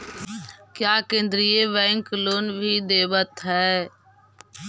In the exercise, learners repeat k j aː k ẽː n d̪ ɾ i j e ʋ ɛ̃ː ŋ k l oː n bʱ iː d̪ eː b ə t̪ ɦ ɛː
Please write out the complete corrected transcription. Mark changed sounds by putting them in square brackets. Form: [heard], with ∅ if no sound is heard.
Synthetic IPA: k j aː k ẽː n d̪ ɾ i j e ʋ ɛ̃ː ŋ k l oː n bʱ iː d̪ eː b ə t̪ ɦ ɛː